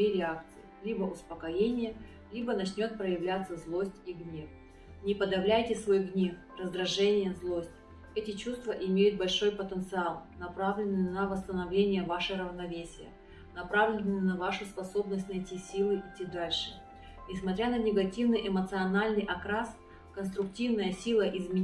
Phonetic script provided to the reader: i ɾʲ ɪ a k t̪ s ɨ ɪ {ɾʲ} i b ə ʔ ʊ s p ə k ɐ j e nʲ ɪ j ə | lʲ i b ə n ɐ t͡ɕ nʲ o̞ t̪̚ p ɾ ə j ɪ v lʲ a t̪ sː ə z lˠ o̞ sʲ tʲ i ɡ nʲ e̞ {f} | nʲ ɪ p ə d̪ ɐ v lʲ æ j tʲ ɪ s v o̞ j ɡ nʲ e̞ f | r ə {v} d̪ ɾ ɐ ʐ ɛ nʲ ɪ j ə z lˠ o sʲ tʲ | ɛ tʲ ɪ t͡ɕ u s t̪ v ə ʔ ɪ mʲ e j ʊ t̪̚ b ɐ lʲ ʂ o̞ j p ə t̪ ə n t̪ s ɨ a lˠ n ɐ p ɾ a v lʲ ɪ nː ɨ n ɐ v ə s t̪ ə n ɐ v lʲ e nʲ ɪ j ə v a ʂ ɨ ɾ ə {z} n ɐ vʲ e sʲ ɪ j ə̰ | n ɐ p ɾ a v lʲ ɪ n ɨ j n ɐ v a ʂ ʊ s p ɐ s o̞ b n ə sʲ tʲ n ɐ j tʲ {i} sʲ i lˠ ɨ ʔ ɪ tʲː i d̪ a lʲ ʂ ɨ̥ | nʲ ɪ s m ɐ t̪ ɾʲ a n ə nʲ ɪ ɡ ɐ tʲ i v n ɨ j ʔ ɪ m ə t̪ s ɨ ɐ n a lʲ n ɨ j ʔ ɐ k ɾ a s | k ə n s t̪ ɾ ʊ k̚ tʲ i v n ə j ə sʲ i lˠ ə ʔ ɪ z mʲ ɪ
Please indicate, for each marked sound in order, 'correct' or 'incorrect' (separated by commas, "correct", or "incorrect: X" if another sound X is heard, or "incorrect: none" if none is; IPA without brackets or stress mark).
incorrect: lʲ, correct, incorrect: z, incorrect: v, correct